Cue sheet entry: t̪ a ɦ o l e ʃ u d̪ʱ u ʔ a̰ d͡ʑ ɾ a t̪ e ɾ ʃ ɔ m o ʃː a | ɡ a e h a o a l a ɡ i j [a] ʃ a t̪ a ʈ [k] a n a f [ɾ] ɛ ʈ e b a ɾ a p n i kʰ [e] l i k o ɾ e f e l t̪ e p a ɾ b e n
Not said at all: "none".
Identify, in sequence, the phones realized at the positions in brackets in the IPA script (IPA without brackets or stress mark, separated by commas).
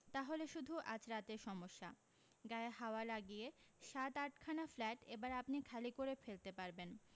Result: e, kʰ, l, a